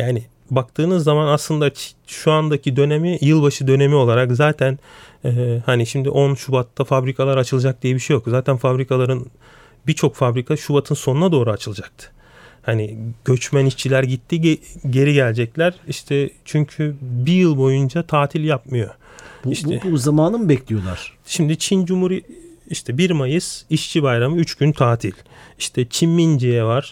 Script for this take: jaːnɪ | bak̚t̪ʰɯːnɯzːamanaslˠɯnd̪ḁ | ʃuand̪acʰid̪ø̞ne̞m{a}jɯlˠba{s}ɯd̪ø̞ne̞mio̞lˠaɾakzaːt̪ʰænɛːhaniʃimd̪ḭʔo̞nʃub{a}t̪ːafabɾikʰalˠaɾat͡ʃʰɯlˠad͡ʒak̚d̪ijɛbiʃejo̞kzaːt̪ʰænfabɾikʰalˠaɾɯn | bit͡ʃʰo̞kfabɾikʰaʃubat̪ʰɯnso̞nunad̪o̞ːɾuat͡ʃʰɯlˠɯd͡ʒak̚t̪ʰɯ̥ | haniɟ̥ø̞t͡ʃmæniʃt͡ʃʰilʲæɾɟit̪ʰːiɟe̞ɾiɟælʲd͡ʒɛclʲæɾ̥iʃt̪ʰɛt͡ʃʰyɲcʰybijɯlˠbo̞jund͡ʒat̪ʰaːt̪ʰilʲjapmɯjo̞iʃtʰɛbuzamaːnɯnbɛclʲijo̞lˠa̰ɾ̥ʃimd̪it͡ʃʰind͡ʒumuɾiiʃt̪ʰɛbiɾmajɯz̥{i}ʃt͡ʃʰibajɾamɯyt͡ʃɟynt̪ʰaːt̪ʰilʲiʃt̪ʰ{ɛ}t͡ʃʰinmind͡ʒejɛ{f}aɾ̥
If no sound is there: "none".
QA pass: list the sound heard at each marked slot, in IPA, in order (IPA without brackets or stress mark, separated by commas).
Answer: i, ʃ, a, i, ɛ, v